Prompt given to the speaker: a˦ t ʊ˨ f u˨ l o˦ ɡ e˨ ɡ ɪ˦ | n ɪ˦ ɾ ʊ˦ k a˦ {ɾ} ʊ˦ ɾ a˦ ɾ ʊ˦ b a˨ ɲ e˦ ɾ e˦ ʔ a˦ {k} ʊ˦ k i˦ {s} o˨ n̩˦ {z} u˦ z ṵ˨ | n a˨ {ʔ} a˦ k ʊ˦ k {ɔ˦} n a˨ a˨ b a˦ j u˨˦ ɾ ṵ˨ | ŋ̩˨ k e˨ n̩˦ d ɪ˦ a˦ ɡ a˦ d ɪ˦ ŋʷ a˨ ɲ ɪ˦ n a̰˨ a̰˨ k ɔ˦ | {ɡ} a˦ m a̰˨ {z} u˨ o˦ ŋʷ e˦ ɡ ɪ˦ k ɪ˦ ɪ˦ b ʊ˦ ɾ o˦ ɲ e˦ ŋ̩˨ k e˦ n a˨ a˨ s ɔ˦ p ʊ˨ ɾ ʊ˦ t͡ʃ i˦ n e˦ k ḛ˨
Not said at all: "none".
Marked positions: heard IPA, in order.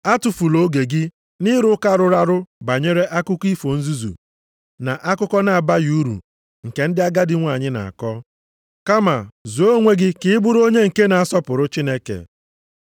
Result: ɾ, k, f, z, ʔ, ɔ˦, k, z

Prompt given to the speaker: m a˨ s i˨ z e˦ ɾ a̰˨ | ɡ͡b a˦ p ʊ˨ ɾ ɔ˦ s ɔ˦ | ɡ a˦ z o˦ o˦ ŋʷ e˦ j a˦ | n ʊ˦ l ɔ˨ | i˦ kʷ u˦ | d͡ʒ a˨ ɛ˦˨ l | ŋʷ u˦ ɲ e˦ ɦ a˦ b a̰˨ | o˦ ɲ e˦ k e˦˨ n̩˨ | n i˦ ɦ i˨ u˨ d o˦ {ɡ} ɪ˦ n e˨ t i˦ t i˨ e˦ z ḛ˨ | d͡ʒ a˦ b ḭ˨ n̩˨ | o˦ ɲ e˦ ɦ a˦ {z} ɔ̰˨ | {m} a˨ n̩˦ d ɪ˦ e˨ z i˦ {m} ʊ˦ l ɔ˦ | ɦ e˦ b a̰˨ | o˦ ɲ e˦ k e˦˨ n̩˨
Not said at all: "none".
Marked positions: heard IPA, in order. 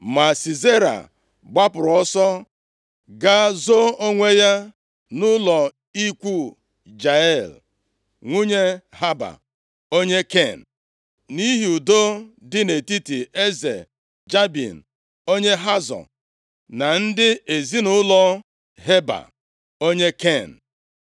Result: d, z, n, n

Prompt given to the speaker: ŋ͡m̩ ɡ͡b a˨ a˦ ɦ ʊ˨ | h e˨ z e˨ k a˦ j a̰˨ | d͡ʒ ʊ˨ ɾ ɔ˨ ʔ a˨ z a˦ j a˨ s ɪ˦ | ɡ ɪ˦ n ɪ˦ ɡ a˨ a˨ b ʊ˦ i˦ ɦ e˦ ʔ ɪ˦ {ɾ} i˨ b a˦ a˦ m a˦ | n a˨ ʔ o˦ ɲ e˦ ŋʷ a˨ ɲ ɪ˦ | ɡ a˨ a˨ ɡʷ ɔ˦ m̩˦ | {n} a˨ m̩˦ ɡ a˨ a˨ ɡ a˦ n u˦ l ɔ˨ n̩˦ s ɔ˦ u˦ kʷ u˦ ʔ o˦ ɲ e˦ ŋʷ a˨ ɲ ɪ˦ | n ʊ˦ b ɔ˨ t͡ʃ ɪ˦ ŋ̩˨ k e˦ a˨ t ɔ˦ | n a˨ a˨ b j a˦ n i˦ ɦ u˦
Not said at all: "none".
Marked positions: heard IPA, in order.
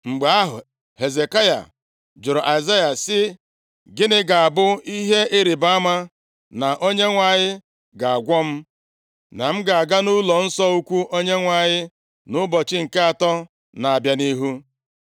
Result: ɾ, n

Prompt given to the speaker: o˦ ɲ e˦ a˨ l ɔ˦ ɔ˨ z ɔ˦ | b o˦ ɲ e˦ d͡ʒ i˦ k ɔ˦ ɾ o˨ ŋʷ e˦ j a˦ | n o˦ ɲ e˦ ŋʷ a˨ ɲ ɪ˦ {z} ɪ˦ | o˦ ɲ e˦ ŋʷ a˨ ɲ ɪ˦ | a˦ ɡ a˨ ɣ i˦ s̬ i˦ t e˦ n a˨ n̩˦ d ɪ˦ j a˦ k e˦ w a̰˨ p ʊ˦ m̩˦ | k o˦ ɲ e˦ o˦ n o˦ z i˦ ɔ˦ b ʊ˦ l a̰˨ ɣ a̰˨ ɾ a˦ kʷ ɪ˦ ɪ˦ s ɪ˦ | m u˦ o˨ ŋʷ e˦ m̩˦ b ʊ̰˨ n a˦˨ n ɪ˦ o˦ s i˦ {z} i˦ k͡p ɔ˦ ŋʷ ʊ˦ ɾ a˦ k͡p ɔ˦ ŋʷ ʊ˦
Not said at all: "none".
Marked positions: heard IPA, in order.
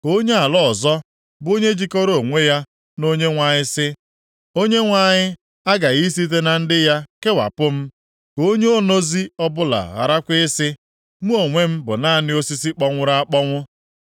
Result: s, s

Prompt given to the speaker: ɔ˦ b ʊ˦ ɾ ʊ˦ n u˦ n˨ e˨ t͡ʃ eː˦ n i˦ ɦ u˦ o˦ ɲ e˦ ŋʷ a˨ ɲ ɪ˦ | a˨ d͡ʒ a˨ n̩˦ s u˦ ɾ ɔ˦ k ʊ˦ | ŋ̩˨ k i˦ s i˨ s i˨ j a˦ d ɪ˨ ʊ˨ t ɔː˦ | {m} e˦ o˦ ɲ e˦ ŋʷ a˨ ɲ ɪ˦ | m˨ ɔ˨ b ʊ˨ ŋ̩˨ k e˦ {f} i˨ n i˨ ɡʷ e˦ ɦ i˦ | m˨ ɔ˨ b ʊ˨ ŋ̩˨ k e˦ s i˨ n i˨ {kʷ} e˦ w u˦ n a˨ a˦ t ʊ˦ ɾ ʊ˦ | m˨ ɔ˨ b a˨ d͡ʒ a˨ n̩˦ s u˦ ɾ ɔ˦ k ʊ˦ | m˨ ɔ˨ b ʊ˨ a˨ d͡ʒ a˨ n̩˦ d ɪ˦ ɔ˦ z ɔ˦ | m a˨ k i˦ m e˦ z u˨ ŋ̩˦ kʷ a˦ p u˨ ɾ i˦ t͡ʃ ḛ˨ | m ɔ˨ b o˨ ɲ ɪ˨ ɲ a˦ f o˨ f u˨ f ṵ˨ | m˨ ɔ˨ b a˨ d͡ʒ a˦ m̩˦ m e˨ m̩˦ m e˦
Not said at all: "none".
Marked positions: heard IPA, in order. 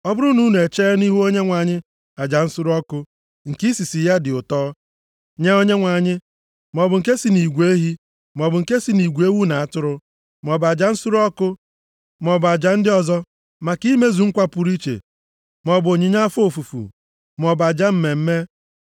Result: ɲ, s, ɡʷ

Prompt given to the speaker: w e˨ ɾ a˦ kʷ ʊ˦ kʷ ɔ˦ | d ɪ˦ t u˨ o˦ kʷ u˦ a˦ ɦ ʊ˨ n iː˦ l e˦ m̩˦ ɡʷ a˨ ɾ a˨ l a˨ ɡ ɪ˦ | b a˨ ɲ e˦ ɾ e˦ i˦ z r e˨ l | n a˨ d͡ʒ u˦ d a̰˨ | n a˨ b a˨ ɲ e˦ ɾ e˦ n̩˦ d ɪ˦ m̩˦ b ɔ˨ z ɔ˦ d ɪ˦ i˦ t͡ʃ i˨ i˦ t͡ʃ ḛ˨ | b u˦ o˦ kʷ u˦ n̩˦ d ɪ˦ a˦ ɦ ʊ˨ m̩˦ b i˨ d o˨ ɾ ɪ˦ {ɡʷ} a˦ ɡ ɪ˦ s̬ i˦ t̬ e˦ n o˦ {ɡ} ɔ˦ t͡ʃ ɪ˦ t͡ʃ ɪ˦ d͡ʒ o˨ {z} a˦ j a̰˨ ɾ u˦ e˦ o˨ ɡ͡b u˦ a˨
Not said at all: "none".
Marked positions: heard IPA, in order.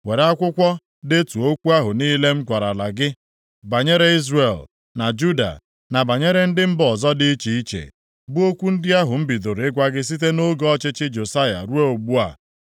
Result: ɡʷ, ɡ, s

